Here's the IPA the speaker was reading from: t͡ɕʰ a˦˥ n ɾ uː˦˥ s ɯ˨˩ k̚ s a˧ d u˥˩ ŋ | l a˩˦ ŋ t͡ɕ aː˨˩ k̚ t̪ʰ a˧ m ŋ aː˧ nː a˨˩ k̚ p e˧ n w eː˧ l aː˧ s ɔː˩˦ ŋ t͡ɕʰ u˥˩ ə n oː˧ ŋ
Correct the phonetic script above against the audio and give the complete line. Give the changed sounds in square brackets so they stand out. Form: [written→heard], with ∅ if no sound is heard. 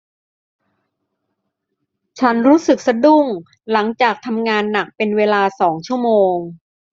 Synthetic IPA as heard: t͡ɕʰ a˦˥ n ɾ uː˦˥ s ɯ˨˩ k̚ s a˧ d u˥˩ ŋ | l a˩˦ ŋ t͡ɕ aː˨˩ k̚ t̪ʰ a˧ m ŋ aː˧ nː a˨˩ k̚ p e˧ n w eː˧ l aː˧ s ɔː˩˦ ŋ t͡ɕʰ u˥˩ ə [n→m] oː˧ ŋ